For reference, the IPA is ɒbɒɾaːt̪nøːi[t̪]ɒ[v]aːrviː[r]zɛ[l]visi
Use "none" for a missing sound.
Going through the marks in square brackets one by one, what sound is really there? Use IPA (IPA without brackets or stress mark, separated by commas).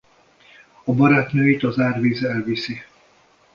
t̪, z, none, l